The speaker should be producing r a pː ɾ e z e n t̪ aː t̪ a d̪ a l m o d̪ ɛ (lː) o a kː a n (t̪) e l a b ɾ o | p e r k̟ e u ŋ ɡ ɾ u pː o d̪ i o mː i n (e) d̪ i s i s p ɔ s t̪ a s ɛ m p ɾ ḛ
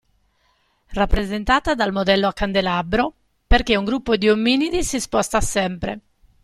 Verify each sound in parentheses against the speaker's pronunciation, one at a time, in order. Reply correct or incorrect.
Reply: correct, incorrect: d̪, incorrect: i

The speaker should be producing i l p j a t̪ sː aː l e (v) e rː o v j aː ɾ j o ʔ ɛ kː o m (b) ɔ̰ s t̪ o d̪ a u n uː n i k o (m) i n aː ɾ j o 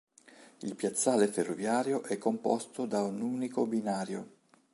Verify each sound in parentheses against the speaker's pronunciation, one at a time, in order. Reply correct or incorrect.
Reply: incorrect: f, incorrect: p, incorrect: b

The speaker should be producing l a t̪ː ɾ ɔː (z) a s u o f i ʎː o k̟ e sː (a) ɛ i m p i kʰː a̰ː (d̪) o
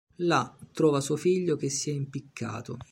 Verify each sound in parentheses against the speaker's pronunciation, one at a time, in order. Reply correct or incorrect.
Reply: incorrect: v, incorrect: i, incorrect: t̪

